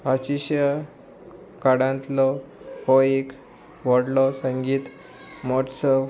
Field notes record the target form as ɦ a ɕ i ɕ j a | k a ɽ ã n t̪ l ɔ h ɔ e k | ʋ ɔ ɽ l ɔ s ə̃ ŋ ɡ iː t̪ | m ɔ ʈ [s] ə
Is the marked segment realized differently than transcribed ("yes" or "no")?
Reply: no